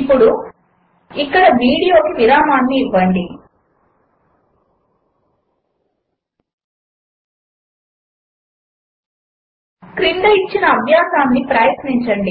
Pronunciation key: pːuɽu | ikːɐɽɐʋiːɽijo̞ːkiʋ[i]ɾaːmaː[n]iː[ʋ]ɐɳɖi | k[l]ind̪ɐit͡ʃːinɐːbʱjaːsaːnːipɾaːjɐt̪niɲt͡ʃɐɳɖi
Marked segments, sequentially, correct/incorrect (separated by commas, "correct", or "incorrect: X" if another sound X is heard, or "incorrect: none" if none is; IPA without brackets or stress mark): correct, incorrect: nː, incorrect: ʋː, incorrect: ɾ